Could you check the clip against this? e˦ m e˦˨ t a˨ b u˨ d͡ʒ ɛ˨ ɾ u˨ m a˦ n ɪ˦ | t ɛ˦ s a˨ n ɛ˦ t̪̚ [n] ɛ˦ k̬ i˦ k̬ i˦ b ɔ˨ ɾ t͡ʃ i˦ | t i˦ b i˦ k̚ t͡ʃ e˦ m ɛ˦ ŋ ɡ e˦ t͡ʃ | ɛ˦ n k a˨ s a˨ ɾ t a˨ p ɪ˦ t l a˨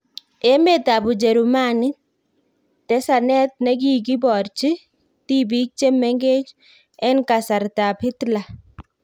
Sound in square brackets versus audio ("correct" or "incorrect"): correct